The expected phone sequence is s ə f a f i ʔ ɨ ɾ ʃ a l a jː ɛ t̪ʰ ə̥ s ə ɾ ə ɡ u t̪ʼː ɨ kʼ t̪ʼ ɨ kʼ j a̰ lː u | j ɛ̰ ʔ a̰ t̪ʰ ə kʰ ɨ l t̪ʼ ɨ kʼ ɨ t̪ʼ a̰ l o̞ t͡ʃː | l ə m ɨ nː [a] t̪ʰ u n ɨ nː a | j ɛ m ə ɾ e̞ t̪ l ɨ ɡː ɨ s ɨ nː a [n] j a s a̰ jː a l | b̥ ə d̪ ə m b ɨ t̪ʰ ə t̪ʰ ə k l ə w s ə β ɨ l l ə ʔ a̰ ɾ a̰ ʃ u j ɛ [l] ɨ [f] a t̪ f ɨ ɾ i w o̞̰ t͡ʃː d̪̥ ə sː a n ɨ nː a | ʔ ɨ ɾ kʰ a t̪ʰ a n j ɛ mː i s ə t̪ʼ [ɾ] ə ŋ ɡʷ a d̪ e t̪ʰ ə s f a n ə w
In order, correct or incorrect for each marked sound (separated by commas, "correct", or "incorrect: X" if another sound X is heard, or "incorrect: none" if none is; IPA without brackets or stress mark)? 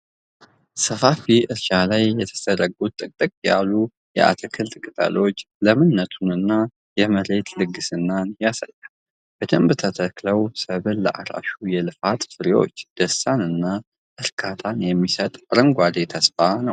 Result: incorrect: ə, correct, correct, correct, correct